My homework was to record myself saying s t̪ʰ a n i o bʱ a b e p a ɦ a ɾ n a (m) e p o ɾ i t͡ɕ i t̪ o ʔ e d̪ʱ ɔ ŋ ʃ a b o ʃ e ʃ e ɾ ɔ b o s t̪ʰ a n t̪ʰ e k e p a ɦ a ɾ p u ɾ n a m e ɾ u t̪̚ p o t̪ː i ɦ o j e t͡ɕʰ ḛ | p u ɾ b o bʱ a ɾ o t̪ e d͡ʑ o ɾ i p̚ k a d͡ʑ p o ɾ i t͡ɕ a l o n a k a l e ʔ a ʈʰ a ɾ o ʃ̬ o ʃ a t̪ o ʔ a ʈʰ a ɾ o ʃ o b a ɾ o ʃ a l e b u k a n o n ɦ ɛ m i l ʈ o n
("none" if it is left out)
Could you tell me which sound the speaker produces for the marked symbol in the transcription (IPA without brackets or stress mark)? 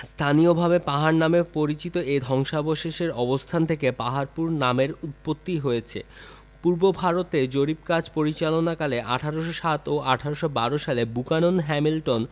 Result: m